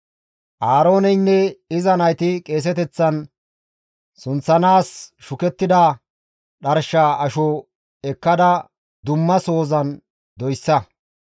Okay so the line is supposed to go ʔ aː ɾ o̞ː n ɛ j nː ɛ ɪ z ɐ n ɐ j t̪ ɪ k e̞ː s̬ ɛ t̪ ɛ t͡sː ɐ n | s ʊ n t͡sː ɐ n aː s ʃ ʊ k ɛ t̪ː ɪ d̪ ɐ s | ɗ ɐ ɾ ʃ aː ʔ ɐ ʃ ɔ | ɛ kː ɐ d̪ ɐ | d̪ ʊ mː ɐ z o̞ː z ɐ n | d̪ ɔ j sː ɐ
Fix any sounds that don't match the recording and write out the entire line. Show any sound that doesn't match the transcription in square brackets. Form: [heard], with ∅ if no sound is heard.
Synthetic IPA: ʔ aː ɾ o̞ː n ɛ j nː ɛ ɪ z ɐ n ɐ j t̪ ɪ [kʼ] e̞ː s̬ ɛ t̪ ɛ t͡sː ɐ n | s ʊ n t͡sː ɐ n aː s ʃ ʊ k ɛ t̪ː ɪ d̪ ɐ [∅] | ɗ ɐ ɾ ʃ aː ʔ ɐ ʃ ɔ | ɛ kː ɐ d̪ ɐ | d̪ ʊ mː ɐ [s] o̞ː z ɐ n | d̪ ɔ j sː ɐ